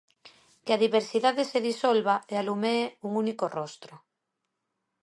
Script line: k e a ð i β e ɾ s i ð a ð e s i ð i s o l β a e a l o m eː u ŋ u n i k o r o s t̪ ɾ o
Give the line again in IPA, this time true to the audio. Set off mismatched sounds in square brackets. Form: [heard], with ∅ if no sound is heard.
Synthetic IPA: k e a ð i β e ɾ s i ð a ð e s [e] ð i s o l β a e a l [u] m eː u ŋ u n i k o r o s t̪ ɾ o